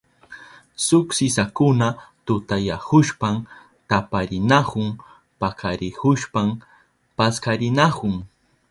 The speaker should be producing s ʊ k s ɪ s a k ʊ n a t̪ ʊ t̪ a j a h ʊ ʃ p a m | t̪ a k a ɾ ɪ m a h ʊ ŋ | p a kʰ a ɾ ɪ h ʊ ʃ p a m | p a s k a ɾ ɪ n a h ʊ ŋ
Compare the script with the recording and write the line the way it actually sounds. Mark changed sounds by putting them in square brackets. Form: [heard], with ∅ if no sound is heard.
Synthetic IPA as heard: s ʊ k s ɪ s a k ʊ n a t̪ ʊ t̪ a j a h ʊ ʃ p a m | t̪ a [p] a ɾ ɪ [n] a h ʊ ŋ | p a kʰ a ɾ ɪ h ʊ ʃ p a m | p a s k a ɾ ɪ n a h ʊ ŋ